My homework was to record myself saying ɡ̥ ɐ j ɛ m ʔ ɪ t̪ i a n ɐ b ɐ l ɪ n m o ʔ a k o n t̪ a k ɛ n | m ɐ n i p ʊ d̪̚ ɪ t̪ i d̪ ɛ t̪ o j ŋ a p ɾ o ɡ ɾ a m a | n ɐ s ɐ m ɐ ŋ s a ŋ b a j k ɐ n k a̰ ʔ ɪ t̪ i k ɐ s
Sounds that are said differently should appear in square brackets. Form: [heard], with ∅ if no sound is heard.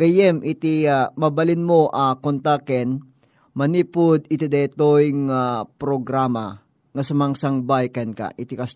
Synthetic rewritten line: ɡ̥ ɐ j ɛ m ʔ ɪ t̪ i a [m] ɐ b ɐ l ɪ n m o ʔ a k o n t̪ a k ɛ n | m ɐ n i p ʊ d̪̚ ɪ t̪ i d̪ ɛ t̪ o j ŋ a p ɾ o ɡ ɾ a m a | [ŋ] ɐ s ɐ m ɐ ŋ s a ŋ b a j k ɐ n k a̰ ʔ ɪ t̪ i k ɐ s